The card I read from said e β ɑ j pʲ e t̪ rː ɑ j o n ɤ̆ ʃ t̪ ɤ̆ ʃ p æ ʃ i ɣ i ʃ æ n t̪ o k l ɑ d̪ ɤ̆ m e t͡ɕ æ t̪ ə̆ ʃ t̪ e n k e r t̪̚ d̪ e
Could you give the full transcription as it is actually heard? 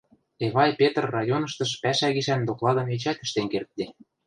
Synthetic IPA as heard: e β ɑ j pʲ e t̪ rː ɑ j o n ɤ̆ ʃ t̪ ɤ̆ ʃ p æ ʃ æ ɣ i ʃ æ n d̪ o k l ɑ d̪ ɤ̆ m e t͡ɕ æ t̪ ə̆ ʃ t̪ e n k e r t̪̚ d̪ e